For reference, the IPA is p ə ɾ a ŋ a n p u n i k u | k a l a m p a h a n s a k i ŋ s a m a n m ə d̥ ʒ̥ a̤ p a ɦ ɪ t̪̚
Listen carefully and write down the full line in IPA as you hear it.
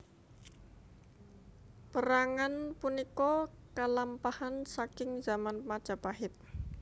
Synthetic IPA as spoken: p ə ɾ a ŋ a n p u n i k ɔ | k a l a m p a h a n s a k ɪ ŋ z a m a n m a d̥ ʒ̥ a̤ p a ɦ ɪ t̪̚